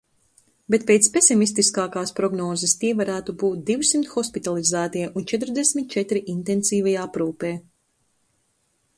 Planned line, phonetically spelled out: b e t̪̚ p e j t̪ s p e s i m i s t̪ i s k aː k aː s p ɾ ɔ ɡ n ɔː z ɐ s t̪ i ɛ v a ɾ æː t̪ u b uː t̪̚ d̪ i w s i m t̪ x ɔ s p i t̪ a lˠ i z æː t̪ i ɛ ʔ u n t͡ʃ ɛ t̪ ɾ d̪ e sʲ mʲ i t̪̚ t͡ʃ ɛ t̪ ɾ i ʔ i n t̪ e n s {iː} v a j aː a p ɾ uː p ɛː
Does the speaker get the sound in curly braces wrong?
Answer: no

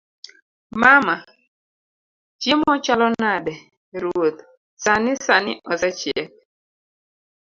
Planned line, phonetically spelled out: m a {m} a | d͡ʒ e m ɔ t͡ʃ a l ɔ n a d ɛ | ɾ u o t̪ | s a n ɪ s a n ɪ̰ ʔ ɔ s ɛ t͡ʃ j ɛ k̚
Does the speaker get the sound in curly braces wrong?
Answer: no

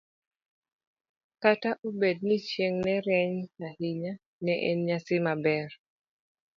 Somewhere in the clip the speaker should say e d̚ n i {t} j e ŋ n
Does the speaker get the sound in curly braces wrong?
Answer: yes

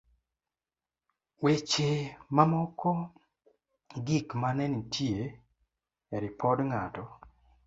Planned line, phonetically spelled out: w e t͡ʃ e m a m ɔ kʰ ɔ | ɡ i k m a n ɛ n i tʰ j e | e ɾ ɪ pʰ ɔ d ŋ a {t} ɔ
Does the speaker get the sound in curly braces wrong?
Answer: no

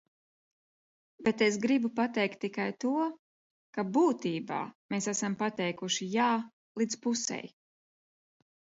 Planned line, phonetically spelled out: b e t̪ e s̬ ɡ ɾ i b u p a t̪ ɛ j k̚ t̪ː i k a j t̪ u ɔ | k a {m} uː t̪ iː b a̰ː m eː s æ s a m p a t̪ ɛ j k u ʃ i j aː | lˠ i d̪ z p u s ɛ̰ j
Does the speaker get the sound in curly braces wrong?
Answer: yes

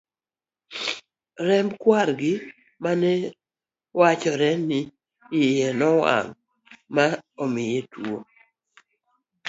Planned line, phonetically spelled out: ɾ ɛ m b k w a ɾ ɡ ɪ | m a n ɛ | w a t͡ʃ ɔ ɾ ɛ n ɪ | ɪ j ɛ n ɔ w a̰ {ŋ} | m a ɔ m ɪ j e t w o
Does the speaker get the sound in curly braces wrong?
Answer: no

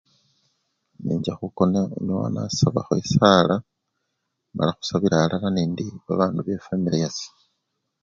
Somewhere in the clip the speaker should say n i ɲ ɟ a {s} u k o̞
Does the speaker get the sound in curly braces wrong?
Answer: yes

